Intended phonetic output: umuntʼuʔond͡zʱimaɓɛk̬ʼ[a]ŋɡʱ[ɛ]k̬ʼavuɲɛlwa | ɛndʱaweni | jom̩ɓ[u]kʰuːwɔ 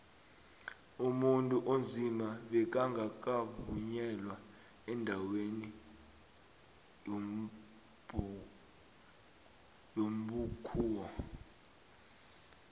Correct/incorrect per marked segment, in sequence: correct, incorrect, correct

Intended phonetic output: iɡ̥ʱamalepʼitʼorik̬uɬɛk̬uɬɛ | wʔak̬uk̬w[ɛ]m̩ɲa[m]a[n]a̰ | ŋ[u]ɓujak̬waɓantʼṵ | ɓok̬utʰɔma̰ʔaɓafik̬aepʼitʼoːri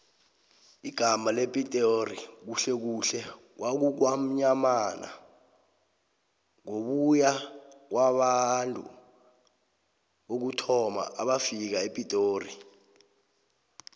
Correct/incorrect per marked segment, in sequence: incorrect, correct, correct, incorrect

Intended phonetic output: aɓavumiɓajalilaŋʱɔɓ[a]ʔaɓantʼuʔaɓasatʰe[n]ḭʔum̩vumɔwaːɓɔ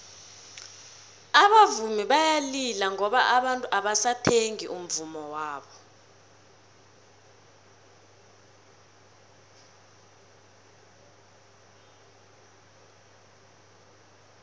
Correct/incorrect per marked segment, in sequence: correct, incorrect

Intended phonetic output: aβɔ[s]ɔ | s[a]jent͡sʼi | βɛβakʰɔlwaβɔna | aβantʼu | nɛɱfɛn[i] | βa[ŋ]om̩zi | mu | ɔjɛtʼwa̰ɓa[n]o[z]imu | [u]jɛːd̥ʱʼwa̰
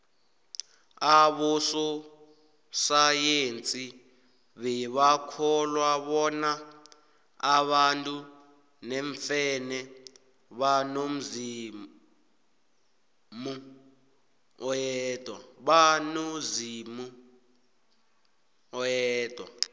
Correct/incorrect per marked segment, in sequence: correct, correct, incorrect, incorrect, correct, correct, incorrect

